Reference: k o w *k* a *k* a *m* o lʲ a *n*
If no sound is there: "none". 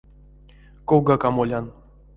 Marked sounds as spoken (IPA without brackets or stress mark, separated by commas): ɡ, k, m, n